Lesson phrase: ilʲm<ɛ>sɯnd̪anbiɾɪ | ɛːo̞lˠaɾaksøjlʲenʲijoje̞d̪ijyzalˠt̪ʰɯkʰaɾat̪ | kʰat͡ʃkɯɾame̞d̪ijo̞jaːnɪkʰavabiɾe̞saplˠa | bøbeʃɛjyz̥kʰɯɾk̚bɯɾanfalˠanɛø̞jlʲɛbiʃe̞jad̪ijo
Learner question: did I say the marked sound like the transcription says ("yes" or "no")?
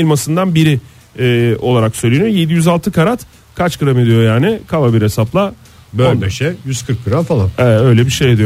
no